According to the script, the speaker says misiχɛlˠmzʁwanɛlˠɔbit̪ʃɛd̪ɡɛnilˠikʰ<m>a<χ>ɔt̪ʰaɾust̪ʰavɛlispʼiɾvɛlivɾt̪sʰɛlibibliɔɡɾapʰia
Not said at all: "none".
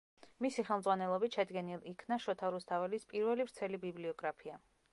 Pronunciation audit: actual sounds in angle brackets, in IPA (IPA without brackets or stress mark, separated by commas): n, ʃ